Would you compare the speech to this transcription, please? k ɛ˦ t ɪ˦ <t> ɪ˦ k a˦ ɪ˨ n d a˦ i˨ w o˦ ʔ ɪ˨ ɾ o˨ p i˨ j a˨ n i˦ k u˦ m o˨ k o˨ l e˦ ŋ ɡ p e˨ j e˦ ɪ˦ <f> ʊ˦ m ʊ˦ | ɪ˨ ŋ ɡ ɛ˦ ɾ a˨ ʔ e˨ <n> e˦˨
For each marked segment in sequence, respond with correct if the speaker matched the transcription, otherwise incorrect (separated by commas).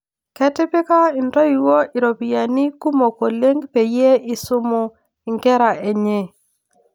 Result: incorrect, incorrect, incorrect